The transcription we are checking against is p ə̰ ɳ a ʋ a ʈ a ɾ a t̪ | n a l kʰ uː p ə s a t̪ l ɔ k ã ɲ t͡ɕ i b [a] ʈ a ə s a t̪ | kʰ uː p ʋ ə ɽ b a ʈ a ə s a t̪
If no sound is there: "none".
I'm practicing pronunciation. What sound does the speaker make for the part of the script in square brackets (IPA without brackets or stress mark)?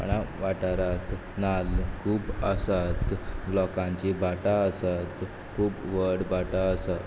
a